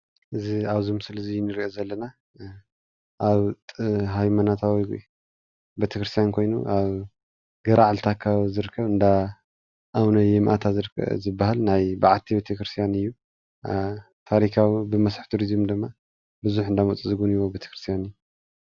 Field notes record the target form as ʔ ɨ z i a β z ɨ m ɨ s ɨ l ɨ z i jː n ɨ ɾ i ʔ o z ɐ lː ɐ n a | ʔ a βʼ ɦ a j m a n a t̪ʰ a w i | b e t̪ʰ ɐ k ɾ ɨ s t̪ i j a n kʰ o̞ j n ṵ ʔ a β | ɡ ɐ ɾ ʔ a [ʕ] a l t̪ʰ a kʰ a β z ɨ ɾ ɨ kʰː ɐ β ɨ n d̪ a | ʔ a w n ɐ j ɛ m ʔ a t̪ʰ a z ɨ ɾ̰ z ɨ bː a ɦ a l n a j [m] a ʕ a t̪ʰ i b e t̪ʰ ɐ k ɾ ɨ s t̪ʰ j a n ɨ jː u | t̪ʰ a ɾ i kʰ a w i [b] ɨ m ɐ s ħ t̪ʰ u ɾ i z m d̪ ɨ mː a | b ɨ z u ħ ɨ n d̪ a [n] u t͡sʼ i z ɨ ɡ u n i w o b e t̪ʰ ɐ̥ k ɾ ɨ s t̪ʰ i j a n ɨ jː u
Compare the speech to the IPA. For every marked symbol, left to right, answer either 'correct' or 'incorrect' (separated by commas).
correct, incorrect, correct, incorrect